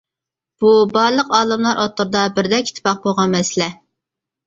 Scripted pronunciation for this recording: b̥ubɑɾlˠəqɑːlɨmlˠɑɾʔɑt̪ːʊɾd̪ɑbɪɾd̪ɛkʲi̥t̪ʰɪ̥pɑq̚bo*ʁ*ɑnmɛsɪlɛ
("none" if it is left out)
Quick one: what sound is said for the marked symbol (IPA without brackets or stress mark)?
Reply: ʁ